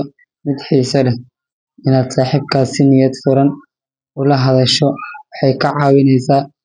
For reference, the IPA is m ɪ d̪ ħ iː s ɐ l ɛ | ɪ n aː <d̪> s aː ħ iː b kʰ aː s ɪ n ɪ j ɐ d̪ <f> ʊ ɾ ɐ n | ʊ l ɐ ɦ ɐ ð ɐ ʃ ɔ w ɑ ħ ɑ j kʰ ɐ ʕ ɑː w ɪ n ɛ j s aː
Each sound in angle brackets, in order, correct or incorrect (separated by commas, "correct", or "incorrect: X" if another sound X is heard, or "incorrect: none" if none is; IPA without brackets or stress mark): correct, correct